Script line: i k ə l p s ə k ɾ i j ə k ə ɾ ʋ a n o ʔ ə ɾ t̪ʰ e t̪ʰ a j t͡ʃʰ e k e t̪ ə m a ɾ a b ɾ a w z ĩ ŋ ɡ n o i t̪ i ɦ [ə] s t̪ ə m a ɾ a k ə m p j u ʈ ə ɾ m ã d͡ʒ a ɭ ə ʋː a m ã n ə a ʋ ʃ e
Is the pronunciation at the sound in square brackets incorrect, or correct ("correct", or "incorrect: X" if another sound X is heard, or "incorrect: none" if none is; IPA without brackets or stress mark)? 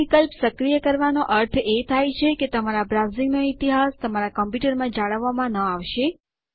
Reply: incorrect: a